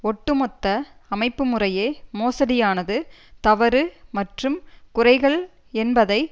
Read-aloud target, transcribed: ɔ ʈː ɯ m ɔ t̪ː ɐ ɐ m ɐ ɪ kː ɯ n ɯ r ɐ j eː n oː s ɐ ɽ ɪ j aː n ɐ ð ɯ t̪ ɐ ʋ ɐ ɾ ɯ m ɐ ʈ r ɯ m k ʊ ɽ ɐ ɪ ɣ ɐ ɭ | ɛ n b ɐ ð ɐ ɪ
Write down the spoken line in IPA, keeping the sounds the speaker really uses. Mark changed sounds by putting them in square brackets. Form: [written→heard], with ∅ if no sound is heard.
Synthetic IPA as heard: ɔ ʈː ɯ m ɔ t̪ː ɐ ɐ m ɐ ɪ [kː→pː] ɯ [n→m] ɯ r ɐ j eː [n→m] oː s ɐ ɽ ɪ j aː n ɐ ð ɯ t̪ ɐ ʋ ɐ ɾ ɯ m ɐ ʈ r ɯ m k ʊ [ɽ→r] ɐ ɪ ɣ ɐ ɭ | ɛ n b ɐ ð ɐ ɪ